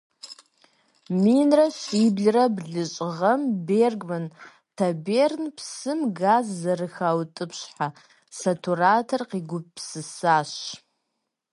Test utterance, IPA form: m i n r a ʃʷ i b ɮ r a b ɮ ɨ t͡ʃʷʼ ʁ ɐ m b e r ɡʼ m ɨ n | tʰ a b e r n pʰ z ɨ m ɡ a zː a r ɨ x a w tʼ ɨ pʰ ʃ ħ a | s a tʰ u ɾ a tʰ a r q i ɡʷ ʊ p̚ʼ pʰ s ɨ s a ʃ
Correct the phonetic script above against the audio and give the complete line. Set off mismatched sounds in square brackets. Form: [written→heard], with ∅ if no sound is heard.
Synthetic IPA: m i n r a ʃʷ i b ɮ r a b ɮ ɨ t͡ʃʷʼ ʁ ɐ m b e r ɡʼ m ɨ n | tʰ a b e r n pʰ [z→s] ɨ m ɡ a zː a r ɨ x a w tʼ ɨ pʰ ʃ ħ a | s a tʰ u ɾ a tʰ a r q i ɡʷ ʊ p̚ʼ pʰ s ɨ s a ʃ